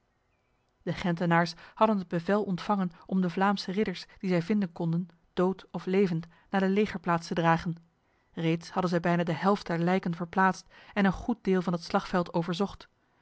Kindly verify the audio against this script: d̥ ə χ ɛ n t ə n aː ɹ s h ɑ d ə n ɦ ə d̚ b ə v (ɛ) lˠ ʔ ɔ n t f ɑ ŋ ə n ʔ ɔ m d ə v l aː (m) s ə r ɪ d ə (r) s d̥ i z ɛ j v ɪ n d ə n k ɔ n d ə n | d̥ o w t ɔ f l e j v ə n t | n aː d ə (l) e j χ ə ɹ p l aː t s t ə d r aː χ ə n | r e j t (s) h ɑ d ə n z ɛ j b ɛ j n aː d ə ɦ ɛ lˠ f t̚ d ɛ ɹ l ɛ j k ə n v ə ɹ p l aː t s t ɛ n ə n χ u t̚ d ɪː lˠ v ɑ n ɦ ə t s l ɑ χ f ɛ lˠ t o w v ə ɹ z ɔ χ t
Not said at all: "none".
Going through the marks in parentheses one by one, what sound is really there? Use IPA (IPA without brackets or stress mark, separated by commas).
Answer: ɛ, m, ɹ, l, s